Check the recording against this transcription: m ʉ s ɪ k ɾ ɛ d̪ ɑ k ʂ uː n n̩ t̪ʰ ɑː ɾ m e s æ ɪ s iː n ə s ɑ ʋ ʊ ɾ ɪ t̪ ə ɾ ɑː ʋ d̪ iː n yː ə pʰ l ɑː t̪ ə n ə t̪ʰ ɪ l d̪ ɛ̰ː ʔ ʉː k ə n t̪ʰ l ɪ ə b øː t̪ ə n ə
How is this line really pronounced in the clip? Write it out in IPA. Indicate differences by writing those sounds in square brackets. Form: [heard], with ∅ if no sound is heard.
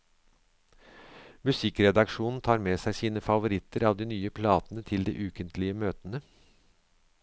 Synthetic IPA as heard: m ʉ s ɪ k ɾ ɛ d̪ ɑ k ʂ uː n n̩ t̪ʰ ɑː ɾ m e s æ ɪ s iː n ə [f] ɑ ʋ ʊ ɾ ɪ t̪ ə ɾ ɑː ʋ d̪ iː n yː ə pʰ l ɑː t̪ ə n ə t̪ʰ ɪ l d̪ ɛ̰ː ʔ ʉː k ə n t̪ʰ l ɪ ə [m] øː t̪ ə n ə

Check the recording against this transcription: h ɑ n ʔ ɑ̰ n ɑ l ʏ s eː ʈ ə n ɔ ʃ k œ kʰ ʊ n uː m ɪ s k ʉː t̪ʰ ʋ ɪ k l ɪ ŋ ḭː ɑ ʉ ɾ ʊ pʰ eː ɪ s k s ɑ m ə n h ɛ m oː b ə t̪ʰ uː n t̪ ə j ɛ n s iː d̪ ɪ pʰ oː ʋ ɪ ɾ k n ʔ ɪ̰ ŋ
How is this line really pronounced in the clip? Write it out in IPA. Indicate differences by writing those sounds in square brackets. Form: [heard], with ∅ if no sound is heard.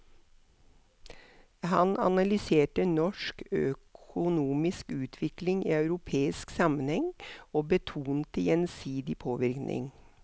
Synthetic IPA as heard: h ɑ n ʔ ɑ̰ n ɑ l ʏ s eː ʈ ə n ɔ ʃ k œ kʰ ʊ n uː m ɪ s k ʉː t̪ʰ ʋ ɪ k l ɪ ŋ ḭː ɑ ʉ ɾ ʊ pʰ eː ɪ s k s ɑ m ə n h ɛ [ŋ] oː b ə t̪ʰ uː n t̪ ə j ɛ n s iː d̪ ɪ pʰ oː ʋ ɪ ɾ k n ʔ ɪ̰ ŋ

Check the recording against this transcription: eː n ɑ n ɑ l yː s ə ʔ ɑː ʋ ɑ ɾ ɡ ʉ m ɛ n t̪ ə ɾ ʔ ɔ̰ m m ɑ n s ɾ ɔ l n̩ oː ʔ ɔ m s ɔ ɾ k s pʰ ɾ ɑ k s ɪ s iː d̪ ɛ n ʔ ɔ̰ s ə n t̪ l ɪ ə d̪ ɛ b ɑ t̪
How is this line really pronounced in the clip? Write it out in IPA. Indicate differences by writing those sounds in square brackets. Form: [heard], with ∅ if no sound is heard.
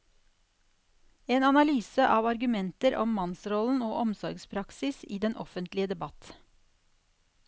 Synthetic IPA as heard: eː n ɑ n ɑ l yː s ə ʔ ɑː ʋ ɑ ɾ ɡ ʉ m ɛ n t̪ ə ɾ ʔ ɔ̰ m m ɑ n s ɾ ɔ l n̩ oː ʔ ɔ m s ɔ ɾ [ɡ] s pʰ ɾ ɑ k s ɪ s iː d̪ ɛ n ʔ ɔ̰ [f] ə n t̪ l ɪ ə d̪ ɛ b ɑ t̪

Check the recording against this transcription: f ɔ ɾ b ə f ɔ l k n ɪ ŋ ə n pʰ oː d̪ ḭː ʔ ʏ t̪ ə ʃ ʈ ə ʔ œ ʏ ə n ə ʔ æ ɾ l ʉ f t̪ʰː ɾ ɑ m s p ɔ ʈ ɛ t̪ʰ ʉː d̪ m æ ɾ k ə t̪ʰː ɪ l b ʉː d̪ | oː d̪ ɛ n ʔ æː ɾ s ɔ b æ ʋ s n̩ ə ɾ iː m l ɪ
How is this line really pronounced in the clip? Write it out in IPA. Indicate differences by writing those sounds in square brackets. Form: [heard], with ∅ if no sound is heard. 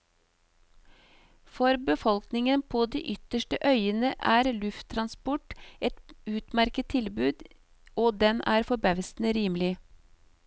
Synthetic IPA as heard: f ɔ ɾ b ə f ɔ l k n ɪ ŋ ə n pʰ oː d̪ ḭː ʔ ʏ t̪ ə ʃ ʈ ə ʔ œ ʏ ə n ə ʔ [æː] ɾ l ʉ f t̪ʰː ɾ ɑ [n] s p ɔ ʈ ɛ [t̪] ʉː [t̪] m æ ɾ k ə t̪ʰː ɪ l b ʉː d̪ | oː d̪ ɛ n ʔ æː ɾ [f] ɔ b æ ʋ s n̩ ə ɾ iː m l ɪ

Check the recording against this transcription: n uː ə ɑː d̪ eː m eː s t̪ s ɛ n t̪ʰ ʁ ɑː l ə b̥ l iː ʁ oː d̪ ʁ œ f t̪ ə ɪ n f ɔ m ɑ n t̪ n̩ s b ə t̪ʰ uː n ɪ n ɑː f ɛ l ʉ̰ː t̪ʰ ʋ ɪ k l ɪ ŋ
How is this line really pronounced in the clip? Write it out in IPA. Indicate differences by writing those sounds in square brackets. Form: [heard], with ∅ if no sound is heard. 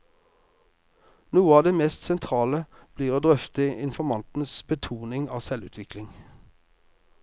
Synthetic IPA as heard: n uː ə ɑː d̪ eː m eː s t̪ s ɛ n t̪ʰ ʁ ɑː l ə b̥ l iː ʁ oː d̪ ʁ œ f t̪ ə ɪ n f ɔ m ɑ n t̪ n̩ s b ə t̪ʰ uː n ɪ [ŋ] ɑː [s] ɛ l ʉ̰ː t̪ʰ ʋ ɪ k l ɪ ŋ

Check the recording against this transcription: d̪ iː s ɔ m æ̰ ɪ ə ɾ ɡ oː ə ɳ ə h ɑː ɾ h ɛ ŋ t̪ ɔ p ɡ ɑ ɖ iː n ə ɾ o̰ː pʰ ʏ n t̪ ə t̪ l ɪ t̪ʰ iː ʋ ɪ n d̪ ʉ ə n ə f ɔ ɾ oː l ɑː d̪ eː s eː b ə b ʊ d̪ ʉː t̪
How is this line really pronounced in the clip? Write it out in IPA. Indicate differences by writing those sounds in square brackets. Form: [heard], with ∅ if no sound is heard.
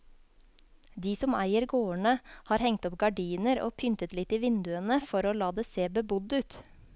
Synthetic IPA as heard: d̪ iː s ɔ m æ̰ ɪ ə ɾ ɡ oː ə ɳ ə h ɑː ɾ h ɛ ŋ t̪ ɔ p ɡ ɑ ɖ iː n ə ɾ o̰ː pʰ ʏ n t̪ ə t̪ l ɪ [t̪] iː ʋ ɪ n d̪ ʉ ə n ə f ɔ ɾ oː l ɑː d̪ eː s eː b ə b ʊ d̪ ʉː t̪

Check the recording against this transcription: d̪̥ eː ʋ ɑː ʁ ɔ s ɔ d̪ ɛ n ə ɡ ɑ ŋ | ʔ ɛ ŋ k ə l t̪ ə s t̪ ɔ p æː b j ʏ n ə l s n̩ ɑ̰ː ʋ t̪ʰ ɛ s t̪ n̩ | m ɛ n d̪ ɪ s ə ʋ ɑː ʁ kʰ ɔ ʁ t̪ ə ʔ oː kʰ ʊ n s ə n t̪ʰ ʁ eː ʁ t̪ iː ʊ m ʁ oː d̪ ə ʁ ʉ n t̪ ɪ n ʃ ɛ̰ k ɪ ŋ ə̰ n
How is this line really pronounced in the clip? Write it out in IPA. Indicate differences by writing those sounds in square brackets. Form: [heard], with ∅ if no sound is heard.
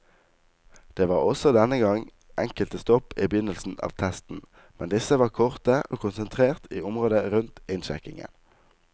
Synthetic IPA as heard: d̪̥ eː ʋ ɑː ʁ ɔ s ɔ d̪ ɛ n ə ɡ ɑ ŋ | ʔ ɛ ŋ k ə l t̪ ə s t̪ ɔ p [iː] b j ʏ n ə l s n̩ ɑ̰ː ʋ t̪ʰ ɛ s t̪ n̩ | m ɛ n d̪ ɪ s ə ʋ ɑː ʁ kʰ ɔ ʁ t̪ ə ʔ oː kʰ ʊ n s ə n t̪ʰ ʁ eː ʁ t̪ iː ʊ m ʁ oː d̪ ə ʁ ʉ n t̪ ɪ n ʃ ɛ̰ k ɪ ŋ ə̰ n

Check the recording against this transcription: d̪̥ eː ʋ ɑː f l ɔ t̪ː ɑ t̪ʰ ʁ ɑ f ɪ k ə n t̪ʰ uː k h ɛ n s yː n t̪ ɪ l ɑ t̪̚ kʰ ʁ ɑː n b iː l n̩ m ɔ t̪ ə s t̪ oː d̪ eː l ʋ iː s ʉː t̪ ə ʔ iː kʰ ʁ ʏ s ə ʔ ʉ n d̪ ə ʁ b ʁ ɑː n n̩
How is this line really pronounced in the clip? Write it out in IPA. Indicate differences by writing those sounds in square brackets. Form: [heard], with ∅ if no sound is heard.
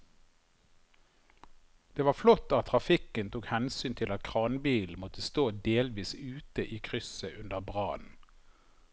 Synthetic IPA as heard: d̪̥ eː ʋ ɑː f l ɔ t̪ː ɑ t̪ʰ ʁ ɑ f ɪ k ə n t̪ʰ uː k h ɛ n s yː n [t̪ʰ] ɪ l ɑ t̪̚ kʰ ʁ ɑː n b iː l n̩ m ɔ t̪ ə s t̪ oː d̪ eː l ʋ iː s ʉː t̪ ə ʔ iː kʰ ʁ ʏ s ə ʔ ʉ n d̪ ə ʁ b ʁ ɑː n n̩

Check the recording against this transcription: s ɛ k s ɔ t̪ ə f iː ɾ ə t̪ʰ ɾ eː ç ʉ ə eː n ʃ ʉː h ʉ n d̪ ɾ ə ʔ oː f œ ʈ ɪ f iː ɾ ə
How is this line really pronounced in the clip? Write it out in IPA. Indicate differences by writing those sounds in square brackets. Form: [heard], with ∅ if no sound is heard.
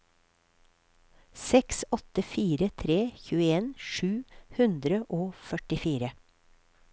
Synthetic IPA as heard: s ɛ k s ɔ t̪ ə f iː ɾ ə t̪ʰ ɾ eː ç [ʉː] ə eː n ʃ ʉː h ʉ n d̪ ɾ ə ʔ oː f œ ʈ ɪ f iː ɾ ə

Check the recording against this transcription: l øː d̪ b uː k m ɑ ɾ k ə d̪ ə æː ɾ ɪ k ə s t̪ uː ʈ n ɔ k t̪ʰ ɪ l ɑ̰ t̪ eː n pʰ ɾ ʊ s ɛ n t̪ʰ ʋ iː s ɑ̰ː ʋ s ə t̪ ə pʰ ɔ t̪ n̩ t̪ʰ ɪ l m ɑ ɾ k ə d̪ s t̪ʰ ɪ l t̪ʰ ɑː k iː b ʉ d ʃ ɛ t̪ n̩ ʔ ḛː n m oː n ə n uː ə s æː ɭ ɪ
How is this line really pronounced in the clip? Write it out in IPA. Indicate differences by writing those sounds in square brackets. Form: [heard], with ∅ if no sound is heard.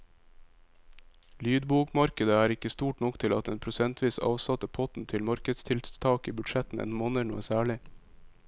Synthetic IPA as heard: l [yː] d̪ b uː k m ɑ ɾ k ə d̪ ə æː ɾ ɪ k ə s t̪ uː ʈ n ɔ k t̪ʰ ɪ l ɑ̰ t̪ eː n pʰ ɾ ʊ s ɛ n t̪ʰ ʋ iː s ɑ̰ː ʋ s [ɑ] t̪ ə pʰ ɔ t̪ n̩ t̪ʰ ɪ l m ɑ ɾ k ə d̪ s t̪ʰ ɪ l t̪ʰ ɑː k iː b ʉ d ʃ ɛ t̪ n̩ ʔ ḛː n m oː n ə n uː ə s æː ɭ ɪ

